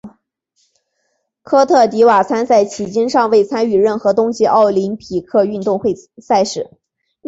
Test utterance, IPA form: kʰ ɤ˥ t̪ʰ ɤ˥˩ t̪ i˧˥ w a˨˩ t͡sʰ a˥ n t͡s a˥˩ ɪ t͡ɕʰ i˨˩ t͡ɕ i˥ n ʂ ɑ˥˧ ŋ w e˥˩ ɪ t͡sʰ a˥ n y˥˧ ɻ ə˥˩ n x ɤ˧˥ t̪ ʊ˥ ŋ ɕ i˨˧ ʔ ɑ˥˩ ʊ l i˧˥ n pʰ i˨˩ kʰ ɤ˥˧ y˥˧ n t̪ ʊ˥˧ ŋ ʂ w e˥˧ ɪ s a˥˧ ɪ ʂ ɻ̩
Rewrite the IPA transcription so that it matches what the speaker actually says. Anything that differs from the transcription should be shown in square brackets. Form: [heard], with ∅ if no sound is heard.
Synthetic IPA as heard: kʰ ɤ˥ t̪ʰ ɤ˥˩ t̪ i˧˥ w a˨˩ t͡sʰ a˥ n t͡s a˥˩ ɪ t͡ɕʰ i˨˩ t͡ɕ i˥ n ʂ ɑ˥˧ ŋ w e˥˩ ɪ t͡sʰ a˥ n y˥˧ ɻ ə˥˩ n x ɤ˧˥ t̪ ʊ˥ ŋ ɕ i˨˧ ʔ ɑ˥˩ ʊ l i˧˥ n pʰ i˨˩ kʰ ɤ˥˧ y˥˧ n t̪ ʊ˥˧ ŋ [x] w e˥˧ ɪ s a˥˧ ɪ ʂ ɻ̩

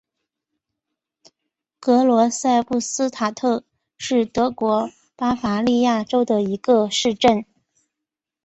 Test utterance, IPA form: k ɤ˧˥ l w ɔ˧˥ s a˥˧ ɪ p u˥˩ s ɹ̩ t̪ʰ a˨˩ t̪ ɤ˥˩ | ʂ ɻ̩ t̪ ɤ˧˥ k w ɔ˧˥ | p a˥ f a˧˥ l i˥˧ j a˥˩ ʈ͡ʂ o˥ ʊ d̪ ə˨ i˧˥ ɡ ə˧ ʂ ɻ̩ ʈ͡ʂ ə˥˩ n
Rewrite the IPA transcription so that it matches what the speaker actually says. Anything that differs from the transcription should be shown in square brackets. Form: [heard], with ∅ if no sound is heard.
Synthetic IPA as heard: k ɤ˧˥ l w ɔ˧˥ s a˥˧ ɪ p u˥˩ s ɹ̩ t̪ʰ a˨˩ [t̪ʰ] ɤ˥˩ | ʂ ɻ̩ t̪ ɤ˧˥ k w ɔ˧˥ | p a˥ f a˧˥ l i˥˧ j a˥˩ ʈ͡ʂ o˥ ʊ d̪ ə˨ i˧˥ ɡ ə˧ ʂ ɻ̩ ʈ͡ʂ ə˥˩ n

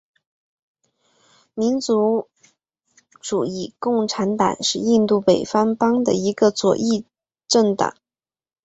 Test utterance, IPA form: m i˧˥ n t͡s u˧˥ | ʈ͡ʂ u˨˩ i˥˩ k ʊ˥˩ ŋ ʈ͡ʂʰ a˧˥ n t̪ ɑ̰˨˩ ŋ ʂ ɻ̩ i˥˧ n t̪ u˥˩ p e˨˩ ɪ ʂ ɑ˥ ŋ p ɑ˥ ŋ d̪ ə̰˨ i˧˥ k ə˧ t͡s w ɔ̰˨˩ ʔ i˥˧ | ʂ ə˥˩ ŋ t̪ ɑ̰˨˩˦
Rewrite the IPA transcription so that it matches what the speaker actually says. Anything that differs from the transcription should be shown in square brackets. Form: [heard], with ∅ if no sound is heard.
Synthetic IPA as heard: m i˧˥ n t͡s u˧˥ | ʈ͡ʂ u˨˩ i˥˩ k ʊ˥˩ ŋ ʈ͡ʂʰ a˧˥ n t̪ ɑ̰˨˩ ŋ ʂ ɻ̩ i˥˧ n t̪ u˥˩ p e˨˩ ɪ [f] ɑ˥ ŋ p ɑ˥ ŋ d̪ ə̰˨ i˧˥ [ɡ] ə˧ t͡s w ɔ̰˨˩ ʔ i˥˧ | [ʈ͡ʂ] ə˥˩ ŋ t̪ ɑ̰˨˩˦

